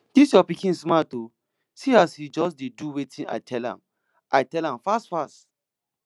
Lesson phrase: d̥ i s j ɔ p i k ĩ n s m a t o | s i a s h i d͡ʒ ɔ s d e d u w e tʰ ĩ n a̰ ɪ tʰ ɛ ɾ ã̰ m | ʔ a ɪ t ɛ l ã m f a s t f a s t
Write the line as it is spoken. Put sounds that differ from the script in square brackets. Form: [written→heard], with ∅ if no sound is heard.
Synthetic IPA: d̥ i s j ɔ p i k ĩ n s m a t o | s i a s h i d͡ʒ ɔ s d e d u w e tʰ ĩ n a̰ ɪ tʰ ɛ [ɾ→l] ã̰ m | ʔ a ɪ t ɛ l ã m f a s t f a s t